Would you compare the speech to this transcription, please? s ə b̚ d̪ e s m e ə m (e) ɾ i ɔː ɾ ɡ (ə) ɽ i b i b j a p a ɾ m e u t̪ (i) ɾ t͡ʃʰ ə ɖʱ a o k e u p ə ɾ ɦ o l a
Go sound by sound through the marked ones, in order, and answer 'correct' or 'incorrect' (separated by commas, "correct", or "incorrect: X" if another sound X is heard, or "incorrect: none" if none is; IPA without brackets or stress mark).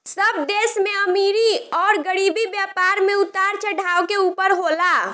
incorrect: i, correct, incorrect: a